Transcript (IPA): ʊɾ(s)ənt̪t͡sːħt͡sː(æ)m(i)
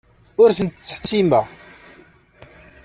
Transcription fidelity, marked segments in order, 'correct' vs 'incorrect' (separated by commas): incorrect, incorrect, incorrect